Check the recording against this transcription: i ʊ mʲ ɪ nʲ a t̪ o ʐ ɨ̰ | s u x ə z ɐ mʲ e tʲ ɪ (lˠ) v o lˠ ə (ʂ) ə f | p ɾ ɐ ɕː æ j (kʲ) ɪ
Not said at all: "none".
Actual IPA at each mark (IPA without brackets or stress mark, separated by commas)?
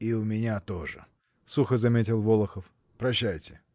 lˠ, x, tʲ